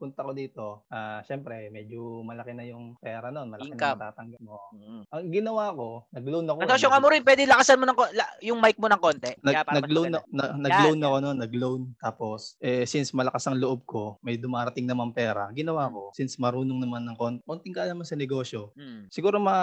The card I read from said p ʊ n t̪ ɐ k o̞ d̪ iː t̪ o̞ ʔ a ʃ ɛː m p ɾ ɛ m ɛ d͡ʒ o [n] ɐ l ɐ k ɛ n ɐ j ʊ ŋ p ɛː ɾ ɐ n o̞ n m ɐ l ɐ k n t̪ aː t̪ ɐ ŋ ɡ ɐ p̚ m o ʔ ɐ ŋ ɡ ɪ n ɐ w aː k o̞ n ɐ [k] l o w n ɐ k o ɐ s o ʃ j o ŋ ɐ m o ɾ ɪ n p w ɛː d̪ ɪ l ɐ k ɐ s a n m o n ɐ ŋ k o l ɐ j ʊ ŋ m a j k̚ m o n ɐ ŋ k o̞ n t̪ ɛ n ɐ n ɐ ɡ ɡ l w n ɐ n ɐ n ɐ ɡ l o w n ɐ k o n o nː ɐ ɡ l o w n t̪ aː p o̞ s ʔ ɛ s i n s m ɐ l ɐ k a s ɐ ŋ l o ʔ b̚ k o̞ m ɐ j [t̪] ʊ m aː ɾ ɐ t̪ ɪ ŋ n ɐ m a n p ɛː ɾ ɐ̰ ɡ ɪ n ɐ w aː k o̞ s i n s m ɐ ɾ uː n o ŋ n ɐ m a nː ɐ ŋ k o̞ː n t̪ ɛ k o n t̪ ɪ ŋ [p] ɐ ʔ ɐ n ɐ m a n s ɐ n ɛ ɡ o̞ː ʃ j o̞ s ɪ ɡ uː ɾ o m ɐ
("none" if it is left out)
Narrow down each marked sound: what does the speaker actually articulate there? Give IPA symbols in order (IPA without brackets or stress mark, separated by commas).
m, ɡ, d̪, k